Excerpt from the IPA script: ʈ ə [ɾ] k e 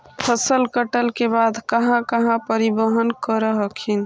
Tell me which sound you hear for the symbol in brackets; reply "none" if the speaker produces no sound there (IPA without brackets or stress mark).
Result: l